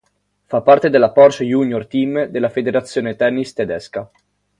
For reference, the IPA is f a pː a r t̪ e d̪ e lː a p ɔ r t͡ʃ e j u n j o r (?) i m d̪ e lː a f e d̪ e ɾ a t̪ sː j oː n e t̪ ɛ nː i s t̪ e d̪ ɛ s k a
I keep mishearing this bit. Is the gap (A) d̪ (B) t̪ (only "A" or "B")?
B